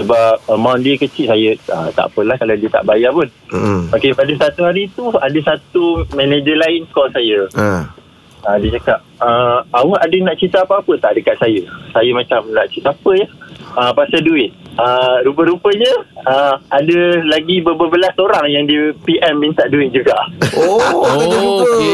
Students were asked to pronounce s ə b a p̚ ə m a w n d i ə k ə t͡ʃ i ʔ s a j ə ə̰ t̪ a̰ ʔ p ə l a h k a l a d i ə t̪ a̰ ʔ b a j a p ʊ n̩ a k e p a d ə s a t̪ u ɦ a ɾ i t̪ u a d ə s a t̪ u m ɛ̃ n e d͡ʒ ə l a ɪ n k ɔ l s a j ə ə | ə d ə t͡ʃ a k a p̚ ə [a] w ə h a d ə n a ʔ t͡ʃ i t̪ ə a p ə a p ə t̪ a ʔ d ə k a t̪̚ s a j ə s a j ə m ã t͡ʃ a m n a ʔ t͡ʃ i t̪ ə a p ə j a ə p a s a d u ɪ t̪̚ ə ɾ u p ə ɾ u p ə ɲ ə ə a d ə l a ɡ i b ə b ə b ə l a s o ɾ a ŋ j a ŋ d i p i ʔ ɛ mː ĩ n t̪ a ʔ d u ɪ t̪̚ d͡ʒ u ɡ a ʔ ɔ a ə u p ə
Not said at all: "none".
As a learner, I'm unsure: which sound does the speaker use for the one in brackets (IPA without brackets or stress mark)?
a